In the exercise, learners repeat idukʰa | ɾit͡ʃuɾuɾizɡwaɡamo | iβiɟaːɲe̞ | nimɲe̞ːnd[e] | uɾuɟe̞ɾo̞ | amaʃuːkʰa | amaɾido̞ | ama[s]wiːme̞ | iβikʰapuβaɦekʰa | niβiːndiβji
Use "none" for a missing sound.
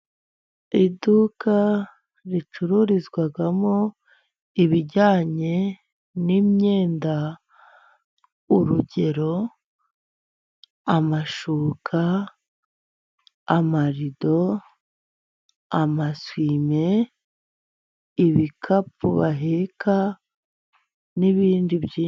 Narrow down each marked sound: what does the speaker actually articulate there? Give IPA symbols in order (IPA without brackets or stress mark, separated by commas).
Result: a, s